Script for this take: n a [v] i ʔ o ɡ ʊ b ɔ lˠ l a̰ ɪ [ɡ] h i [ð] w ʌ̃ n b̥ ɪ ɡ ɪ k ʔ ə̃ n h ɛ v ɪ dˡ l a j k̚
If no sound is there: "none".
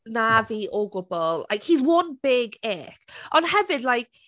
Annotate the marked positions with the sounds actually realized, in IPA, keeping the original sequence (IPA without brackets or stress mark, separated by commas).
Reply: v, k, z